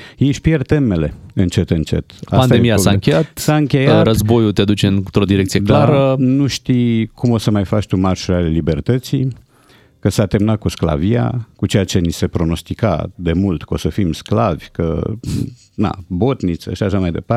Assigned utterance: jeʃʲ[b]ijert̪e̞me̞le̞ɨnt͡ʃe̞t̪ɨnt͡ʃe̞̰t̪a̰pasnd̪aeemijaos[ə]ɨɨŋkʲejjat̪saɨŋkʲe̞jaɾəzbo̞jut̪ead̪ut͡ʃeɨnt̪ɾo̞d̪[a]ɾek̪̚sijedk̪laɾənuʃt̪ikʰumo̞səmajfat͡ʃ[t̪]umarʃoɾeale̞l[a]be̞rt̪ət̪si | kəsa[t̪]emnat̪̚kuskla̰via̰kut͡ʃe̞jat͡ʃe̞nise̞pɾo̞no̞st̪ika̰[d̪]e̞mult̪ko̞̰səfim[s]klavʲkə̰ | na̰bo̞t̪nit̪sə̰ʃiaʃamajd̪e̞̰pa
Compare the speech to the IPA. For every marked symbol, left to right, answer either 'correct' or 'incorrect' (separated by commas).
incorrect, incorrect, incorrect, correct, incorrect, correct, correct, correct